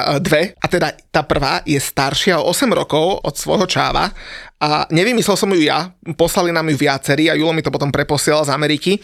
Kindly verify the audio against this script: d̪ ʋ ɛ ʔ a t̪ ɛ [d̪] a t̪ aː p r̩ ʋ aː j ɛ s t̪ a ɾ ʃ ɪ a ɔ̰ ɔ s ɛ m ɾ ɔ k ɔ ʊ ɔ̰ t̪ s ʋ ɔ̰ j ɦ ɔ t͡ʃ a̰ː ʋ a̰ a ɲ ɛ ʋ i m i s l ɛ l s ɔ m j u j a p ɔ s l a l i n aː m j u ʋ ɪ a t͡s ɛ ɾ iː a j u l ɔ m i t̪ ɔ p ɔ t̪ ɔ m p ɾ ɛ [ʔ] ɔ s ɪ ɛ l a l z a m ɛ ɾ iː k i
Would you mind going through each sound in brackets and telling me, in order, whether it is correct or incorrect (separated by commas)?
correct, incorrect